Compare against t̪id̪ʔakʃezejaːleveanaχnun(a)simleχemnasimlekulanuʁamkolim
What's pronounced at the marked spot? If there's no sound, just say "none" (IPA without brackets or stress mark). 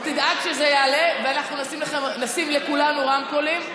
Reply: a